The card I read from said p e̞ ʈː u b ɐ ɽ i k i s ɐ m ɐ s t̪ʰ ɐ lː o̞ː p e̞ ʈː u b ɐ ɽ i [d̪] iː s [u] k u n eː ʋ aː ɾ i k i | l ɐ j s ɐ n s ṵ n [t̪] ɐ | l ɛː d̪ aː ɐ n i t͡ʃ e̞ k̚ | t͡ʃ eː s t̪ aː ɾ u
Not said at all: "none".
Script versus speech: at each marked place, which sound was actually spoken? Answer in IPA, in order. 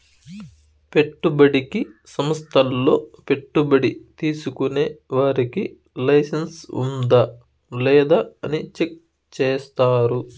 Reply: t̪, u, d̪

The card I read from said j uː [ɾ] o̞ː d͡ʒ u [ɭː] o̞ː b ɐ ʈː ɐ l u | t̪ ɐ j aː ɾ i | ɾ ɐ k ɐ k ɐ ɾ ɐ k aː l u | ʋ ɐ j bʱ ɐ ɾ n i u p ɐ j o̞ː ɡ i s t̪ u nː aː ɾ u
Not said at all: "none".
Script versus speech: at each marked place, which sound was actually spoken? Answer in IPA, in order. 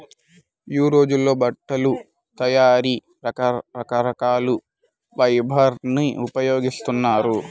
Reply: ɾ, lː

